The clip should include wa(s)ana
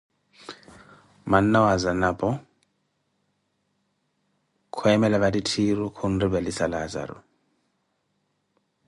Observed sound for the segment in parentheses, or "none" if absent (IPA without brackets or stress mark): z